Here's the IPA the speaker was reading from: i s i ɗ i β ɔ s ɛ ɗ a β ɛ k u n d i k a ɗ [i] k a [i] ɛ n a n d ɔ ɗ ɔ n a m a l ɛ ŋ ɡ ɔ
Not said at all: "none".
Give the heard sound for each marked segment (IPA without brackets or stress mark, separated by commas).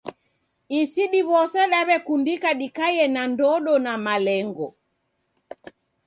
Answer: i, j